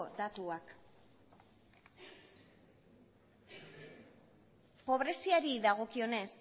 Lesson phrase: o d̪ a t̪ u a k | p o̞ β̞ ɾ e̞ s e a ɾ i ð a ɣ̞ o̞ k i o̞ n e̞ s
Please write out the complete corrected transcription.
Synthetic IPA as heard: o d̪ a t̪ u a k | p o̞ β̞ ɾ e̞ s i a ɾ i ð a ɣ̞ o̞ k i o̞ n e̞ s

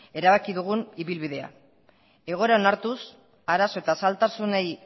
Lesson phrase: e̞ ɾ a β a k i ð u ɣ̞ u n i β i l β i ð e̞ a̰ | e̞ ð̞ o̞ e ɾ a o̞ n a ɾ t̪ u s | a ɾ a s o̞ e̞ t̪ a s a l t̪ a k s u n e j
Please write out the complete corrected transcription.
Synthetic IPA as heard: e̞ ɾ a β a k i ð u ɣ̞ u n i β i l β i ð e̞ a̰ | e̞ ɣ̞ o̞ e ɾ a o̞ n a ɾ t̪ u s | a ɾ a s o̞ e̞ t̪ a s a l t̪ a s u n e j

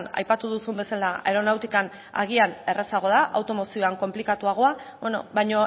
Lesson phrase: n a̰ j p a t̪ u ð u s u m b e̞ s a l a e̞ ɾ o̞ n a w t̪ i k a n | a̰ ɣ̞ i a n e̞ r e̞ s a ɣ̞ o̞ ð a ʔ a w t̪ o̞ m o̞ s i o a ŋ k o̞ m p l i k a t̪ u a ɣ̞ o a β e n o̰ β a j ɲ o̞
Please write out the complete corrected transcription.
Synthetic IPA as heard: n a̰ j p a t̪ u ð u s u m b e̞ s a l a e̞ ɾ o̞ n a w t̪ i k a n | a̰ ɣ̞ i a n e̞ r e̞ s a ɣ̞ o̞ ð a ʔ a w t̪ o̞ m o̞ s i o a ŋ k o̞ m p l i k a t̪ u a ɣ̞ o a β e n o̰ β a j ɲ o̞

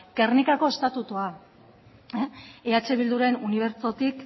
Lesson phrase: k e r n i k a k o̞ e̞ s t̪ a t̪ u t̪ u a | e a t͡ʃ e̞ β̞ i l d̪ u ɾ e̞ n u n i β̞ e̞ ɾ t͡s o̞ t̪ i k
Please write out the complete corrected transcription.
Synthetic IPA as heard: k e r n i k a k o̞ e̞ s t̪ a t̪ u t̪ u a | e a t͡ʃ e̞ β̞ i l d̪ u ɾ e̞ n u n i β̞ e̞ ɾ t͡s o̞ t̪ i k

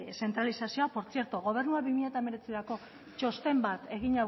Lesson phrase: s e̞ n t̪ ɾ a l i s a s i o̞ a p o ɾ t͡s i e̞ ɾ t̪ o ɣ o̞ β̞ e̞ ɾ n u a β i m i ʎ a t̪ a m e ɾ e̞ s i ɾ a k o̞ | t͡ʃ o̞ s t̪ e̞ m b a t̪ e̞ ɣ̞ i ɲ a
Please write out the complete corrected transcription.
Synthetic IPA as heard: s e̞ n t̪ ɾ a l i s a s i o̞ a p o ɾ t͡s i e̞ ɾ t̪ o ɣ o̞ β̞ e̞ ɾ n u a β i m i ʎ a t̪ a m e ɾ e̞ t͡s i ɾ a k o̞ | t͡ʃ o̞ s t̪ e̞ m b a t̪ e̞ ɣ̞ i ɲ a

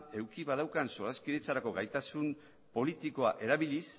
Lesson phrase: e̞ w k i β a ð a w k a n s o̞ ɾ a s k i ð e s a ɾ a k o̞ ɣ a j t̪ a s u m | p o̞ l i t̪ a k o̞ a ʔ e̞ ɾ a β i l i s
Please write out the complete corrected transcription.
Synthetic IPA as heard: e̞ w k i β a ð a w k a n s o̞ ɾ a s k i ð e t͡s a ɾ a k o̞ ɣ a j t̪ a s u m | p o̞ l i t̪ i k o̞ a ʔ e̞ ɾ a β i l i s

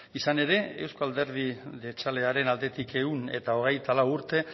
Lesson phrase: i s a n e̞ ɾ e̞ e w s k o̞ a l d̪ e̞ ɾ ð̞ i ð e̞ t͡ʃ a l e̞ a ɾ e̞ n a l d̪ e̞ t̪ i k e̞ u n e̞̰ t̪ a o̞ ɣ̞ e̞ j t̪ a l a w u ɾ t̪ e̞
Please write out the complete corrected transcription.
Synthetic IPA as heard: i s a n e̞ ɾ e̞ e w s k o̞ a l d̪ e̞ ɾ ð̞ i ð e̞ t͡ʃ a l e̞ a ɾ e̞ n a l d̪ e̞ t̪ i k e̞ u n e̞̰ t̪ a o̞ ɣ̞ e̞ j t̪ a l a w u ɾ t̪ e̞

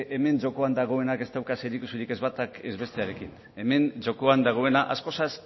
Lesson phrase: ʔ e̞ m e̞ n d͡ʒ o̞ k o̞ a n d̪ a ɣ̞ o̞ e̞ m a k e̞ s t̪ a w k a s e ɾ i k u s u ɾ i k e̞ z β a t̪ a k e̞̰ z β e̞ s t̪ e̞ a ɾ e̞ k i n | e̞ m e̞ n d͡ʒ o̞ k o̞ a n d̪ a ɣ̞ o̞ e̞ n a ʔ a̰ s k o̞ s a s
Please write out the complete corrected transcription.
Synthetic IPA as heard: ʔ e̞ m e̞ n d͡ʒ o̞ k o̞ a n d̪ a ɣ̞ o̞ e̞ n a k e̞ s t̪ a w k a s e ɾ i k u s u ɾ i k e̞ z β a t̪ a k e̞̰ z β e̞ s t̪ e̞ a ɾ e̞ k i n | e̞ m e̞ n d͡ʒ o̞ k o̞ a n d̪ a ɣ̞ o̞ e̞ n a ʔ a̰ s k o̞ s a s

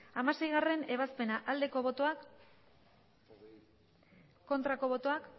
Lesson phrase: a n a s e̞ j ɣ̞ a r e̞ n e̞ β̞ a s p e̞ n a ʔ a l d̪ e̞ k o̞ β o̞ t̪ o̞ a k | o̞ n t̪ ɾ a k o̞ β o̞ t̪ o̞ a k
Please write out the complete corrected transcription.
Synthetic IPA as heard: a m a s e̞ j ɣ̞ a r e̞ n e̞ β̞ a s p e̞ n a ʔ a l d̪ e̞ k o̞ β o̞ t̪ o̞ a k | o̞ n t̪ ɾ a k o̞ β o̞ t̪ o̞ a k

